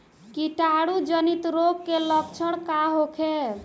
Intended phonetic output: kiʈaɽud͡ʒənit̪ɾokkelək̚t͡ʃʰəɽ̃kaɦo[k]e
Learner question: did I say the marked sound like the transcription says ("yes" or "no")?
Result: no